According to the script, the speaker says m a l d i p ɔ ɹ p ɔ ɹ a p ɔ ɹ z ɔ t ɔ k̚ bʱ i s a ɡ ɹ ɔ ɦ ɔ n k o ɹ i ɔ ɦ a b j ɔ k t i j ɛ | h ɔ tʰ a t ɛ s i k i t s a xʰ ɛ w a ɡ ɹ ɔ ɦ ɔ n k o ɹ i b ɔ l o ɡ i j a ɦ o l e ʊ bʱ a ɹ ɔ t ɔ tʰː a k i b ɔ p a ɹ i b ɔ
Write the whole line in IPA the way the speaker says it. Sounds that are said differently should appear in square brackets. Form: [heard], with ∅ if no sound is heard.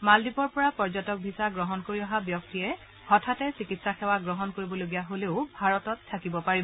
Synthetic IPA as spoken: m a l d i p ɔ ɹ p ɔ ɹ a p ɔ ɹ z ɔ t ɔ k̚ bʱ i s a ɡ ɹ ɔ ɦ ɔ n k o ɹ i ɔ ɦ a b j ɔ k t i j ɛ | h ɔ tʰ a t ɛ s i k i t s a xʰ ɛ w a ɡ ɹ ɔ ɦ ɔ n k o ɹ i b ɔ l o ɡ i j a ɦ o l e ʊ bʱ a ɹ ɔ t ɔ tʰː a k i b ɔ p a ɹ i b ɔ